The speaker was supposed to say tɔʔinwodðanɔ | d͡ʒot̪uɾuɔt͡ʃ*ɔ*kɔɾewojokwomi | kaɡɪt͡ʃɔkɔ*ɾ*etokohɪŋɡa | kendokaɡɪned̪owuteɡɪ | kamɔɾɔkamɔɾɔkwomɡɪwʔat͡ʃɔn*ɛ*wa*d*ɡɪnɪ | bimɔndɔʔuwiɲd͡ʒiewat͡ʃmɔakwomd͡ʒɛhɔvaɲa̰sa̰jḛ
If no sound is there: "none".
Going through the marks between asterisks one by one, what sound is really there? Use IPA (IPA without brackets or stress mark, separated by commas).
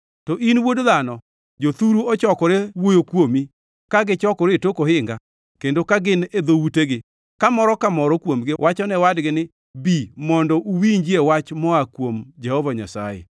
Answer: ɔ, ɾ, ɛ, d